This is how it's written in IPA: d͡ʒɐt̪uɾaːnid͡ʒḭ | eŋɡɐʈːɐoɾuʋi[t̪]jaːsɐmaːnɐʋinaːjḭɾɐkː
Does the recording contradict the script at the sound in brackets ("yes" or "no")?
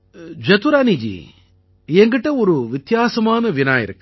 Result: no